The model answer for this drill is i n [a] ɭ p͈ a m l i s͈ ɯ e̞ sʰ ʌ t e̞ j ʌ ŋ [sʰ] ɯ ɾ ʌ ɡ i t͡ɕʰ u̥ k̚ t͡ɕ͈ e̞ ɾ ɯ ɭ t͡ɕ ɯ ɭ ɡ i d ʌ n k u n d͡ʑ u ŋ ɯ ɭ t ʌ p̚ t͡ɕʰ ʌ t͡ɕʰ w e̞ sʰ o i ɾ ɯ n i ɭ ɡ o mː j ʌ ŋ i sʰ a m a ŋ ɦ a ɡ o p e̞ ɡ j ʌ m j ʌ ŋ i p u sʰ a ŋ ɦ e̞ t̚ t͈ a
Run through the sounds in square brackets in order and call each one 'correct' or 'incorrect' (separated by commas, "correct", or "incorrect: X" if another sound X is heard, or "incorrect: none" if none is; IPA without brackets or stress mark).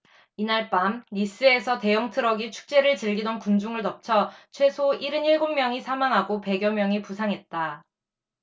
correct, incorrect: tʰ